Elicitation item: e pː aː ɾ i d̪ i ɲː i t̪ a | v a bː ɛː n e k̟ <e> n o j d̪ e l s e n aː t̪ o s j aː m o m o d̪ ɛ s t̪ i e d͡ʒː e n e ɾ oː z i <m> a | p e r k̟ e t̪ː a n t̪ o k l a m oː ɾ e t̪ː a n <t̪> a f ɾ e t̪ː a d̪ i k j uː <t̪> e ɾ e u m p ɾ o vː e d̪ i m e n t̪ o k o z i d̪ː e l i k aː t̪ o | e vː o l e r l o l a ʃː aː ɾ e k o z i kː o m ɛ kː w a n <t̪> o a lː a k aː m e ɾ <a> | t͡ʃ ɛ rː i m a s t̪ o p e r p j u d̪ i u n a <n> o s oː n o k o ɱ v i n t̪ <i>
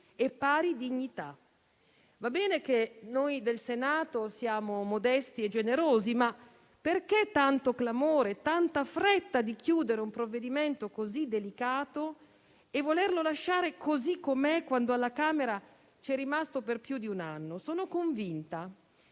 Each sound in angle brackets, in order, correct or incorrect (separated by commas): correct, correct, correct, incorrect, incorrect, correct, incorrect, incorrect